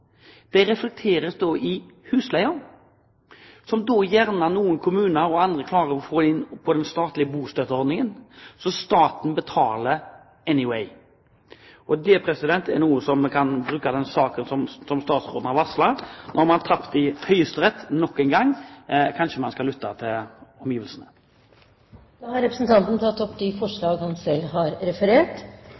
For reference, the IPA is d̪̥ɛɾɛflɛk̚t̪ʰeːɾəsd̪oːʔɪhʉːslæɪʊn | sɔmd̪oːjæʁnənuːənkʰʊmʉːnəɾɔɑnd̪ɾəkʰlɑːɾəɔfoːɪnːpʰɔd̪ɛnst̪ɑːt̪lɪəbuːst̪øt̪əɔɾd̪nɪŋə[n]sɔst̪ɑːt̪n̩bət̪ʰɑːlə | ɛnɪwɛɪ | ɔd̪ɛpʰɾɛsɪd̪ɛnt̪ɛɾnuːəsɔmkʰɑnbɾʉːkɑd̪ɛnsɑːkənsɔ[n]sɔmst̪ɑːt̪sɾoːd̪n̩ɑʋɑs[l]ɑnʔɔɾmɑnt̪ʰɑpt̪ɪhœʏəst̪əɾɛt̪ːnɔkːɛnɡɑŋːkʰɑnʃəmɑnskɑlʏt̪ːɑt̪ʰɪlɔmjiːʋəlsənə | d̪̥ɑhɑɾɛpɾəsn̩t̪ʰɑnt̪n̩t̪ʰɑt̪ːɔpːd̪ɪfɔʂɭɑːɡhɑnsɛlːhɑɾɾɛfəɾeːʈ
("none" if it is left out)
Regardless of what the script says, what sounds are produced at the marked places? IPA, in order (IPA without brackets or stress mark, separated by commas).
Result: n, m, l